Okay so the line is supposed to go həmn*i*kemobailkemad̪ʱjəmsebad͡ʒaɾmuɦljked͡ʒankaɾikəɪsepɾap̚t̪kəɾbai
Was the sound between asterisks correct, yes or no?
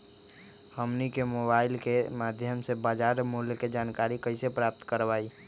yes